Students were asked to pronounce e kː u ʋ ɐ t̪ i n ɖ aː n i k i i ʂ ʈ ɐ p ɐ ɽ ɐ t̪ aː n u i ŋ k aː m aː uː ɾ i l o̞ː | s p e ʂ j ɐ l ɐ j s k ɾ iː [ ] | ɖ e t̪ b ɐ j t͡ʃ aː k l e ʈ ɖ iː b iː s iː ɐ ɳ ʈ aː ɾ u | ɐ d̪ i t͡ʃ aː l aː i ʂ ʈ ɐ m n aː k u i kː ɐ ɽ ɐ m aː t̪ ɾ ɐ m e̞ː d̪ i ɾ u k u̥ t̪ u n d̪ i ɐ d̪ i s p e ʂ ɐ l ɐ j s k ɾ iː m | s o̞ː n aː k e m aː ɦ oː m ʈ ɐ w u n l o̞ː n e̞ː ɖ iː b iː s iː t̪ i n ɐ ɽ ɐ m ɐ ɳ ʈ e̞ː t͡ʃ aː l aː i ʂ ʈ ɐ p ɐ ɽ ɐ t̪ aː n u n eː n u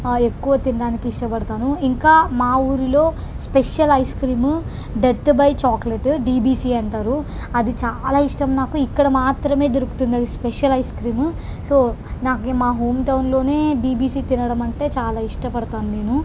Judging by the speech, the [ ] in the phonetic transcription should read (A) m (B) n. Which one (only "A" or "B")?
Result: A